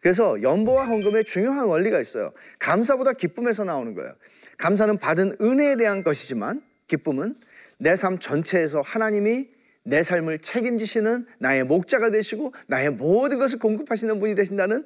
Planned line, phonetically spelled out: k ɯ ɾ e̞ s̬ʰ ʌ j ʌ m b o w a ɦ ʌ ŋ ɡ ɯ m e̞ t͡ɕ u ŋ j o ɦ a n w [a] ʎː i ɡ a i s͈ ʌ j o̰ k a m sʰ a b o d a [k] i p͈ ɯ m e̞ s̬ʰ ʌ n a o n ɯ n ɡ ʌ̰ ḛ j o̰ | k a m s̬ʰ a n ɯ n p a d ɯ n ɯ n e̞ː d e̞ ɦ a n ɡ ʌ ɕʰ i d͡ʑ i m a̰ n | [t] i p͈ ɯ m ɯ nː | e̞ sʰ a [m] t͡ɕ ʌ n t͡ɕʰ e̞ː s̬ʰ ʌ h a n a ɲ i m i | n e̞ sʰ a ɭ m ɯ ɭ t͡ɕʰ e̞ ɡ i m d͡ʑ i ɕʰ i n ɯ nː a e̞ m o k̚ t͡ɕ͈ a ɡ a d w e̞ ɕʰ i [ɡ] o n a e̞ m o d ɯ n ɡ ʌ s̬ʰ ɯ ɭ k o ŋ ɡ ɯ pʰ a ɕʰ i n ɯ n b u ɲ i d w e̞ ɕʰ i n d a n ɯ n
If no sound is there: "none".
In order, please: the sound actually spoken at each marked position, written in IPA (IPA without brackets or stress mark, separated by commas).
ʌ, k, k, m, ɡ